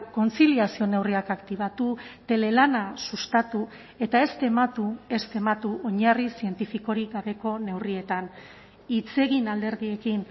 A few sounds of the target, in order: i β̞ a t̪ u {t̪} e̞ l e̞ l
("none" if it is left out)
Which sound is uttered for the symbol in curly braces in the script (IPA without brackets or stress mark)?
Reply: t̪